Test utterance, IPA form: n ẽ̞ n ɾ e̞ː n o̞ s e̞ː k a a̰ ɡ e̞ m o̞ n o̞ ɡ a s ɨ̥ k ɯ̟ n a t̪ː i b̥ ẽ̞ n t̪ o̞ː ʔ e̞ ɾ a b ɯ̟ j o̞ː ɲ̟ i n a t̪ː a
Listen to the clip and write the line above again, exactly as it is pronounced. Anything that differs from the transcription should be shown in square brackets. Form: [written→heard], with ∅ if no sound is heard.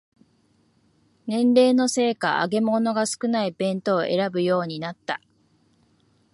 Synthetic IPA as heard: n ẽ̞ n ɾ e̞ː n o̞ s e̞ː k a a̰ ɡ e̞ m o̞ n o̞ ɡ a s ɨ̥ k ɯ̟ n a [t̪ː→∅] i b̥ ẽ̞ n t̪ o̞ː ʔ e̞ ɾ a b ɯ̟ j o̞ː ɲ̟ i n a t̪ː a

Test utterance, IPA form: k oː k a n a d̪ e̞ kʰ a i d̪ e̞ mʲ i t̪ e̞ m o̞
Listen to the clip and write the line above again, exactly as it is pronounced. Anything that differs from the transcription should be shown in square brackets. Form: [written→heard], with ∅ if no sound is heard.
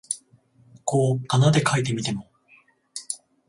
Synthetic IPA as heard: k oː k a n a d̪ e̞ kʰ a i [d̪→t̪] e̞ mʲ i t̪ e̞ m o̞

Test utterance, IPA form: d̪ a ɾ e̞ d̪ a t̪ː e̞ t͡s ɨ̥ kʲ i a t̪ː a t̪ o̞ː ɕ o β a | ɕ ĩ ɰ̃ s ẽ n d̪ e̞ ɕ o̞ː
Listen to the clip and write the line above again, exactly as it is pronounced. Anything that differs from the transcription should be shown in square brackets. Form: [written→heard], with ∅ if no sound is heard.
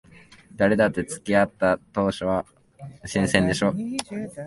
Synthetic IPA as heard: d̪ a ɾ e̞ d̪ a t̪ː e̞ t͡s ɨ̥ kʲ i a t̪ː a t̪ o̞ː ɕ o β a | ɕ ĩ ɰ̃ s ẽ n d̪ e̞ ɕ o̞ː

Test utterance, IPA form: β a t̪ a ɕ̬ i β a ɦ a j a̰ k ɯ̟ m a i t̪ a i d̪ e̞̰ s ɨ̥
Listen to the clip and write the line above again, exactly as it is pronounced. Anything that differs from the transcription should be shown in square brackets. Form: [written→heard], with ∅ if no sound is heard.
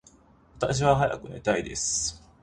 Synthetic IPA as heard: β a t̪ a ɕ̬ i β a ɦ a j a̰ k ɯ̟ [m→n] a i t̪ a i d̪ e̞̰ s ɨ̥

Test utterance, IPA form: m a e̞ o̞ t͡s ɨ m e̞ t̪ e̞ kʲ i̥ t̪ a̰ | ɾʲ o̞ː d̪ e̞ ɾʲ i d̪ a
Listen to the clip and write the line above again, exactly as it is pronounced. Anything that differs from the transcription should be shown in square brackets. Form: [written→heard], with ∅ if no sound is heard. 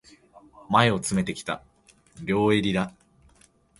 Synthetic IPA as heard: m a e̞ o̞ t͡s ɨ m e̞ t̪ e̞ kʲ i̥ t̪ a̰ | ɾʲ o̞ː [d̪→∅] e̞ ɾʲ i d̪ a

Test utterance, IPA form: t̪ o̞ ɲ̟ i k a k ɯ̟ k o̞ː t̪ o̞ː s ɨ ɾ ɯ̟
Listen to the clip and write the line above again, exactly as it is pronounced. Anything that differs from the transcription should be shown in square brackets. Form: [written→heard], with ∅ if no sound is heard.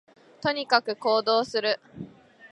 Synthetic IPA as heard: t̪ o̞ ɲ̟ i k a k ɯ̟ k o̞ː [t̪→d̪] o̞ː s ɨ ɾ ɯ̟

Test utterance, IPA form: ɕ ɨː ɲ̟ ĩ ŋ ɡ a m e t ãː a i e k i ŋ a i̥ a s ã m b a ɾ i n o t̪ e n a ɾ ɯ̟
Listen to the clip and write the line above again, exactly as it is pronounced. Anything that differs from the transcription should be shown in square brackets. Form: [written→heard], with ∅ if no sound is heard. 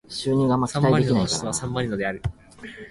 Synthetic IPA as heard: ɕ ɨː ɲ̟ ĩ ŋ ɡ a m [e→a] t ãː a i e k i [ŋ→n] a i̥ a s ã m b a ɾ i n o [t̪→d̪] e [n→∅] a ɾ ɯ̟

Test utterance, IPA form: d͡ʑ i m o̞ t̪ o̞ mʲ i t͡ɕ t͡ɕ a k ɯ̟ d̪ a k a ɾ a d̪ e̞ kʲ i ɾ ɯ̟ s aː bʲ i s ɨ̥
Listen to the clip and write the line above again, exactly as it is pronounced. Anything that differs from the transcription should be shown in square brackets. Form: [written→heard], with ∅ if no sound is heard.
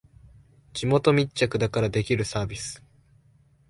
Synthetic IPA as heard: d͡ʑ i m o̞ t̪ o̞ mʲ i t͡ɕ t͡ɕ a k ɯ̟ d̪ a k a ɾ a d̪ e̞ kʲ i ɾ ɯ̟ s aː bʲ i s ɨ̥

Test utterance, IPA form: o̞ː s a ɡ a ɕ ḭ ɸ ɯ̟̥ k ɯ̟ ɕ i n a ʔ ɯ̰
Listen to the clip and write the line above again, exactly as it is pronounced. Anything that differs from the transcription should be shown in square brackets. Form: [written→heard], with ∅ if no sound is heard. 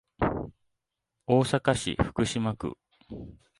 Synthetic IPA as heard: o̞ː s a [ɡ→k] a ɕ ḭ ɸ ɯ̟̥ k ɯ̟ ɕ i [n→m] a [ʔ→k] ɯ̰

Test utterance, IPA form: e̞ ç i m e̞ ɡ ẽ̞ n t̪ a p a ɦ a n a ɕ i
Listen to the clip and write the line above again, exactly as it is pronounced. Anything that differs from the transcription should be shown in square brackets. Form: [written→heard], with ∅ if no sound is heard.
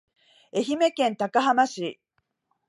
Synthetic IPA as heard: e̞ ç i m e̞ [ɡ→k] ẽ̞ n t̪ a [p→k] a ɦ a [n→m] a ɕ i

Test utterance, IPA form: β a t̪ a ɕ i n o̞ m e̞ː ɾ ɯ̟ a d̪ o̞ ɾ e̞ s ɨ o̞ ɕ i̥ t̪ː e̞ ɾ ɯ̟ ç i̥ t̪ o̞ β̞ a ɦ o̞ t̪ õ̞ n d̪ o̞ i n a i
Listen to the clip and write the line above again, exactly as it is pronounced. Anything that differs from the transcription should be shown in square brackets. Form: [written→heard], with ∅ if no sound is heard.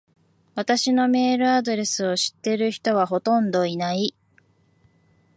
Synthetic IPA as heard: β a t̪ a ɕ i n o̞ m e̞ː ɾ ɯ̟ a d̪ o̞ ɾ e̞ s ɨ o̞ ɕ i̥ t̪ː e̞ ɾ ɯ̟ ç i̥ t̪ o̞ β̞ a ɦ o̞ t̪ õ̞ n d̪ o̞ i n a i

